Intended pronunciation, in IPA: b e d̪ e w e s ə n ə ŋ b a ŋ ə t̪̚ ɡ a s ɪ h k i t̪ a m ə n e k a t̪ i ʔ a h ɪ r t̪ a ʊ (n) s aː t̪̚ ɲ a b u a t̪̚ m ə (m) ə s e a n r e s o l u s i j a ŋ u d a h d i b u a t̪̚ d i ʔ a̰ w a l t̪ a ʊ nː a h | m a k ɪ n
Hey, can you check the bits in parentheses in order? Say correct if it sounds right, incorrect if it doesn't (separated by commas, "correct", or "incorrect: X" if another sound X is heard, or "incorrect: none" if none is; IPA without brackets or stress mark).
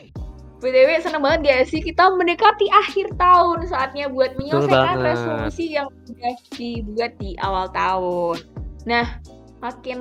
correct, incorrect: ɲ